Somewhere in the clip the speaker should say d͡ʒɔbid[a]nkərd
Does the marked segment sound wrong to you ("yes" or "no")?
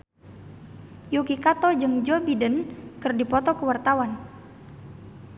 yes